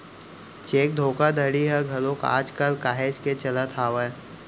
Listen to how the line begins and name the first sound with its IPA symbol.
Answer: t͡ʃ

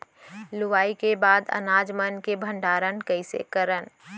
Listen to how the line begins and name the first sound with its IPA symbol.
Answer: l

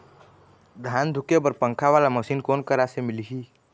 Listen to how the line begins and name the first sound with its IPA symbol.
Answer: d̪ʱ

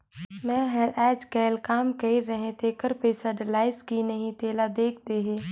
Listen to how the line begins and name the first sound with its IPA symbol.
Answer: m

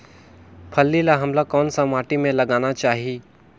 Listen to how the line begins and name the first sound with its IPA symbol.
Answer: pʰ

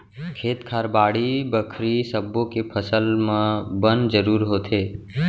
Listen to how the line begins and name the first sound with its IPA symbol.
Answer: kʰ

